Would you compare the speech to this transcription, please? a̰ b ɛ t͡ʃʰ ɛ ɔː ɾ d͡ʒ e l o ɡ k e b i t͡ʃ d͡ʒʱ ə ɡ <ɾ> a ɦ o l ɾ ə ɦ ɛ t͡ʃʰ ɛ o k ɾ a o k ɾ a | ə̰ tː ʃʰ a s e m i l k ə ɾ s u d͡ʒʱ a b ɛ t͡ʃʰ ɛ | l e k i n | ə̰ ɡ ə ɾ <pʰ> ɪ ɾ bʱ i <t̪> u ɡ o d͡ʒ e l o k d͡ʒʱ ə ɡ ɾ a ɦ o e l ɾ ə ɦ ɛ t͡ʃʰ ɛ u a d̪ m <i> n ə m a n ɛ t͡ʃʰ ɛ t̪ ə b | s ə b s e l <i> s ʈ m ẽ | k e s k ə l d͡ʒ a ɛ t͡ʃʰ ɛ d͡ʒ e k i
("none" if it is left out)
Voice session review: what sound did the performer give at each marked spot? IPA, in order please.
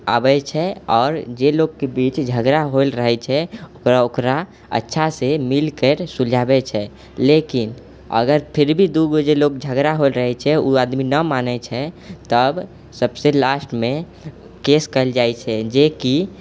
ɾ, pʰ, d̪, i, a

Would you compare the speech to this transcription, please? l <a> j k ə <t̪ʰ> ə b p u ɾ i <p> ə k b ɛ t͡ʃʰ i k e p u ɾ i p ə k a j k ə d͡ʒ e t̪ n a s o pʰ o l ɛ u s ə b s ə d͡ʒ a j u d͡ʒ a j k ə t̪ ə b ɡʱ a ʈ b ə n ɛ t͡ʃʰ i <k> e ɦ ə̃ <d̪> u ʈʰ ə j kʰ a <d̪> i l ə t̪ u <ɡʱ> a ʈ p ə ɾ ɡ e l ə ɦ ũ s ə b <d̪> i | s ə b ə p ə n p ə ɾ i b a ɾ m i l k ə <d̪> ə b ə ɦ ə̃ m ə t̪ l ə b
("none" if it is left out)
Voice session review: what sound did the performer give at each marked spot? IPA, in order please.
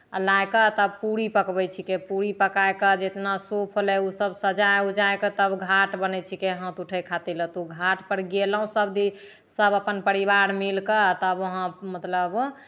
a, t̪, p, k, t̪, t̪, ɡʱ, d̪, t̪

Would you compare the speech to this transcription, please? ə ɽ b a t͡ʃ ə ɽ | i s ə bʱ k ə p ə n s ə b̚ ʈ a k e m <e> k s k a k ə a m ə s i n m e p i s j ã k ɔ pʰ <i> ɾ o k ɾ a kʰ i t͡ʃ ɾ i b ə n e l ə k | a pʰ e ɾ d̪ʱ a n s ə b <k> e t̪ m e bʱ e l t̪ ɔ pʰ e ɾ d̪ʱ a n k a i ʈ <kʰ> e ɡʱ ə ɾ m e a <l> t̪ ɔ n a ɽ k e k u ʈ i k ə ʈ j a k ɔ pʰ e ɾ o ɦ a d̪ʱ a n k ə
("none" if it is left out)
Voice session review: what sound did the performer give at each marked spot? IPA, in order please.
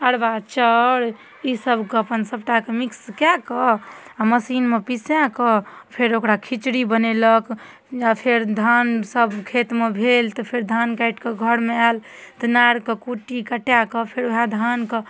i, e, kʰ, k, l

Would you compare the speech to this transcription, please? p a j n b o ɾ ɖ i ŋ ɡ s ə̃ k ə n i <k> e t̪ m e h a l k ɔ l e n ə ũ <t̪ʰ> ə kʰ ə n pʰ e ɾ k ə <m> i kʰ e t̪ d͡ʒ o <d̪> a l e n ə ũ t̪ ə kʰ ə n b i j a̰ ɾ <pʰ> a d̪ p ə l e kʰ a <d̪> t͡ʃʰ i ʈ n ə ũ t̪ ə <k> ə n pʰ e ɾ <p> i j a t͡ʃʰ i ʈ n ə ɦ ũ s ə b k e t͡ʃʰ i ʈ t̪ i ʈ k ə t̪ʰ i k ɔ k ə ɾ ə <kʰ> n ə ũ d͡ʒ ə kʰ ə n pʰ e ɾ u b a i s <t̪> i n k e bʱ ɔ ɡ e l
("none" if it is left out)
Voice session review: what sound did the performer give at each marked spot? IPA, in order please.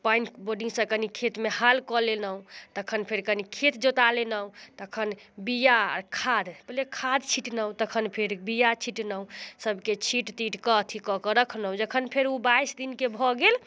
kʰ, t̪, n, t̪, kʰ, d̪, kʰ, b, kʰ, d̪

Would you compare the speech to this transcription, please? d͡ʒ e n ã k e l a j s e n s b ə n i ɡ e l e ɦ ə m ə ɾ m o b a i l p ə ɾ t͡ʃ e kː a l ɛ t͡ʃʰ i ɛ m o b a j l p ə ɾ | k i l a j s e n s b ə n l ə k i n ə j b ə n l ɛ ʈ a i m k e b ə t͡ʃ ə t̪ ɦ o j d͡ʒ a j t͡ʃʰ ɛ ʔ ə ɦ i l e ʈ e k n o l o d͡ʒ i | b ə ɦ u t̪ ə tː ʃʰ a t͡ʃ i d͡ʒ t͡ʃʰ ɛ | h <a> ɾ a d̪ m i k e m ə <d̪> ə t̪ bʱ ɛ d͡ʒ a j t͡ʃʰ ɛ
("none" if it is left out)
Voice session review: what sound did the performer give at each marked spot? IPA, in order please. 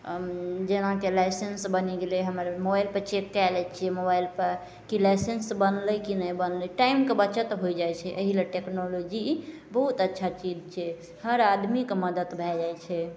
ə, d̪

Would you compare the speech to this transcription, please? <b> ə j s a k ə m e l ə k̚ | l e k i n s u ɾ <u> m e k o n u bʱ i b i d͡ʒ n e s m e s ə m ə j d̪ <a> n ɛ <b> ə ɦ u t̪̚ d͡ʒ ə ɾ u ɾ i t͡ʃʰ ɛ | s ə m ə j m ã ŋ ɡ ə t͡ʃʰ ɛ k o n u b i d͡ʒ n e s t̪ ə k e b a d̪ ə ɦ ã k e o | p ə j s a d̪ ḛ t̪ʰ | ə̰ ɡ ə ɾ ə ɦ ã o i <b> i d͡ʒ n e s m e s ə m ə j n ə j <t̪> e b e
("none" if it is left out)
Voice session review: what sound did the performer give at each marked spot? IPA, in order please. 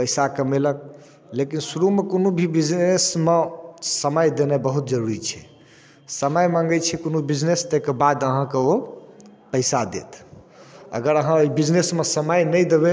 p, u, e, b, b, d̪

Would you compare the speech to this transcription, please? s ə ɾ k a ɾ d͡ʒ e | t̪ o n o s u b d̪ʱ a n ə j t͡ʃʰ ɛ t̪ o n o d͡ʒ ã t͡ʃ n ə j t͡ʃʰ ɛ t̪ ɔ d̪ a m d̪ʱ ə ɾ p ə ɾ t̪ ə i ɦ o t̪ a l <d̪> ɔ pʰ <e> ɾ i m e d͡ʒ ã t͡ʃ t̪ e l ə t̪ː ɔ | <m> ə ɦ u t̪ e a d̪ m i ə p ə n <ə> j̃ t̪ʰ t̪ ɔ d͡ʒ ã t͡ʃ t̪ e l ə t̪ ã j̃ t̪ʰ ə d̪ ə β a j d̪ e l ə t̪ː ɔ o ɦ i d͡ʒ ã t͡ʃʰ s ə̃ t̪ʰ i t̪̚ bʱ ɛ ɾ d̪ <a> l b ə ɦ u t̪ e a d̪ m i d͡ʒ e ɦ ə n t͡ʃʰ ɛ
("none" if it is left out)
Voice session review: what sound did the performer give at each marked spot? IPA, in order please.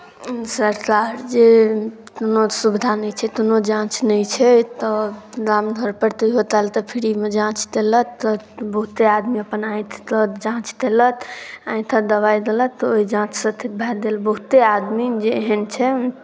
t̪, i, b, a, e

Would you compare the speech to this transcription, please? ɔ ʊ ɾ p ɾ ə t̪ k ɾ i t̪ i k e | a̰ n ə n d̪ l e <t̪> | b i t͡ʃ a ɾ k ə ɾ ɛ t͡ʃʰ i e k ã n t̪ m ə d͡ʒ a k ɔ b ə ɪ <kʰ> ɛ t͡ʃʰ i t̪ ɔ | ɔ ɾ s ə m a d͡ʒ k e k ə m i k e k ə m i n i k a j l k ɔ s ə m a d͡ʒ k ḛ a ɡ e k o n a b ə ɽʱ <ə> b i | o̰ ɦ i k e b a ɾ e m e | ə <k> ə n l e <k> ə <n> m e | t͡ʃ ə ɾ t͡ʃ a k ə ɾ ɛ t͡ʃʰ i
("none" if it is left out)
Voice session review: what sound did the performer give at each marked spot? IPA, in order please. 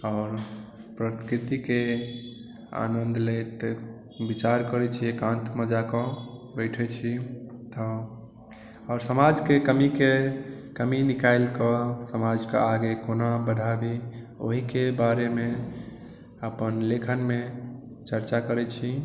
t̪, ʈʰ, a, p, kʰ, n

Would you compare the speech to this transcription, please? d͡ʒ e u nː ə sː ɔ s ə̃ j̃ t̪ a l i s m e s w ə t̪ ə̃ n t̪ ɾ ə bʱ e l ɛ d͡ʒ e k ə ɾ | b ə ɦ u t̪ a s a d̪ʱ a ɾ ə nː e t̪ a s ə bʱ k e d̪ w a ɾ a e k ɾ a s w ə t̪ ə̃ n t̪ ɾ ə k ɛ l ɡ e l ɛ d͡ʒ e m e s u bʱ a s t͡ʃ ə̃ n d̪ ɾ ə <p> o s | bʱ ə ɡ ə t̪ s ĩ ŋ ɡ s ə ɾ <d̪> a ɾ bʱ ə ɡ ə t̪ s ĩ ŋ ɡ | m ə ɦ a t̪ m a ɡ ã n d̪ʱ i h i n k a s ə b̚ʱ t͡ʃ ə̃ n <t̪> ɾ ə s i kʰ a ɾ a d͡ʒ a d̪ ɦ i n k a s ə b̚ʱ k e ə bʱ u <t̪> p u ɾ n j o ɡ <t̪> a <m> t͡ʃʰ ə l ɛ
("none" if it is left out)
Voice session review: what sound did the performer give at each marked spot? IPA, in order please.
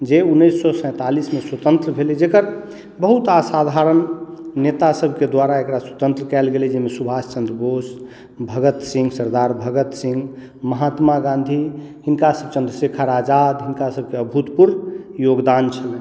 b, d̪, d̪, t̪, d̪, n

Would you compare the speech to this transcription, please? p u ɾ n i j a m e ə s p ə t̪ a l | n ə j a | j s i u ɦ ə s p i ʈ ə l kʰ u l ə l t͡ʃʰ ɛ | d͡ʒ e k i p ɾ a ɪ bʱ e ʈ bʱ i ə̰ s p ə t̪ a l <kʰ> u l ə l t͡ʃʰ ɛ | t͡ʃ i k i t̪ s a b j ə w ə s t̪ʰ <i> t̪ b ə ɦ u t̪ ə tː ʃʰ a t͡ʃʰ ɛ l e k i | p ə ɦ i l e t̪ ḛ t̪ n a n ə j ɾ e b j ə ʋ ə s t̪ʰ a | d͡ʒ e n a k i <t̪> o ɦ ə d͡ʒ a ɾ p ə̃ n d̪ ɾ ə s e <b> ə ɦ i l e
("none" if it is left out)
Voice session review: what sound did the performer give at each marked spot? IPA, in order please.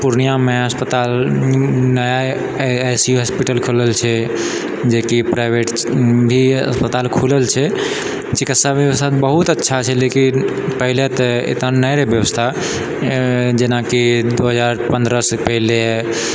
kʰ, a, d̪, p

